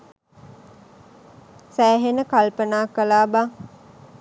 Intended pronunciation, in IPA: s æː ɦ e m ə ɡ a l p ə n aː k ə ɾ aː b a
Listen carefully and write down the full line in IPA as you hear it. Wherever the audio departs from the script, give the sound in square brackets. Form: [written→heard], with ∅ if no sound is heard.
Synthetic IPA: s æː ɦ e [m→n] ə [ɡ→k] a l p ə n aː k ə [ɾ→l] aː b a